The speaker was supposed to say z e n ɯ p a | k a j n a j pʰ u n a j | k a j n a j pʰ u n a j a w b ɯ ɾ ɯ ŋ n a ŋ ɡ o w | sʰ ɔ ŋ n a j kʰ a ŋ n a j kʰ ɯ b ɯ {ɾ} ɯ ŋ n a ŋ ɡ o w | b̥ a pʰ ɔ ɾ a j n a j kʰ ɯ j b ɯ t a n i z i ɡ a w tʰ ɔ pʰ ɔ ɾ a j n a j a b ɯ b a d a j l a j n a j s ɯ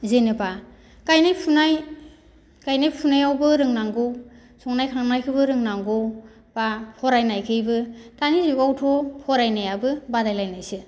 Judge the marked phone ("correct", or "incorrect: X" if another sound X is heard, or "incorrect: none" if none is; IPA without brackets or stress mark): correct